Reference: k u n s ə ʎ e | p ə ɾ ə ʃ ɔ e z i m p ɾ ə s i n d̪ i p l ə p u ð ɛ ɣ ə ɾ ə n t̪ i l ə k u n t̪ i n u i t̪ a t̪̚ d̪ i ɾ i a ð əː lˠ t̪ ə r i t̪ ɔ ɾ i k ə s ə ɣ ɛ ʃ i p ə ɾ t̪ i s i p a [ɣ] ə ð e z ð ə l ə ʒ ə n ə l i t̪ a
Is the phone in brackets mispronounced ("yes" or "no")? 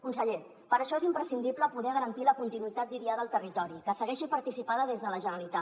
yes